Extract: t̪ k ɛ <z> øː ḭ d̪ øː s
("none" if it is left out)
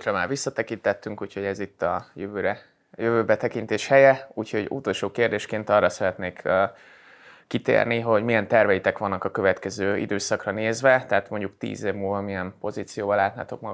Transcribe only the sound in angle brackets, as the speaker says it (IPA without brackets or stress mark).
z